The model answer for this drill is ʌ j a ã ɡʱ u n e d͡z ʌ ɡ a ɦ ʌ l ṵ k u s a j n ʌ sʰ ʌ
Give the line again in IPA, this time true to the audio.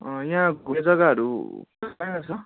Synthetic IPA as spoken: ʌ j a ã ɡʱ u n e d͡z ʌ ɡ a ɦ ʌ ɾ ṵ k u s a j n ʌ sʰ ʌ